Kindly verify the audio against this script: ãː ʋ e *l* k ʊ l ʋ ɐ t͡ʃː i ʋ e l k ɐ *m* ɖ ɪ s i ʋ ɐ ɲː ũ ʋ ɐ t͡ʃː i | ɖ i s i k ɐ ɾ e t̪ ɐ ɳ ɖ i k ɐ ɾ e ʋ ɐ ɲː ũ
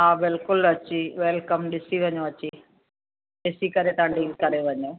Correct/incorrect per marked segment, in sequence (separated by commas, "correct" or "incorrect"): correct, correct